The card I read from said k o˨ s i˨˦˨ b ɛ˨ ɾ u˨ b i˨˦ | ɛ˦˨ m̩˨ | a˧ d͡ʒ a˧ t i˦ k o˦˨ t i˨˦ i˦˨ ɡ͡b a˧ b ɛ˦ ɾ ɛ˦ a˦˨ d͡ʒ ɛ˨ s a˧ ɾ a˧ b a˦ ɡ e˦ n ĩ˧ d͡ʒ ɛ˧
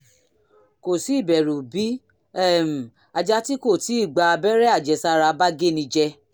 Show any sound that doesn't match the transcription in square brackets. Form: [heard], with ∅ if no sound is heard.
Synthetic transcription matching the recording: k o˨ s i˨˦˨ b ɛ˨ ɾ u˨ b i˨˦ | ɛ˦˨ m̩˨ | a˧ d͡ʒ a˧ t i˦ k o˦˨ t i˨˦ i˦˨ ɡ͡b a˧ b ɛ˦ ɾ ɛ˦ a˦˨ d͡ʒ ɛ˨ s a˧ ɾ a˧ b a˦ ɡ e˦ n ĩ˧ d͡ʒ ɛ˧